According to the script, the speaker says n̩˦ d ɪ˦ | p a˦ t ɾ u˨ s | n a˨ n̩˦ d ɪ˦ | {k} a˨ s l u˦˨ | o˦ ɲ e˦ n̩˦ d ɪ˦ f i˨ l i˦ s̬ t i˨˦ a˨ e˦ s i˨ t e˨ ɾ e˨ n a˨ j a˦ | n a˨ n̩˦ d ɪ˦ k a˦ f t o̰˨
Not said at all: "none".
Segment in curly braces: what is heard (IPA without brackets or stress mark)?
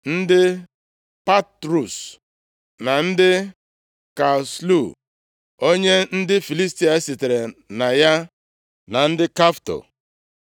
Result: k